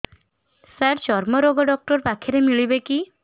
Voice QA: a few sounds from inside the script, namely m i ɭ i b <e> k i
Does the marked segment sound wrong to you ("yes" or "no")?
no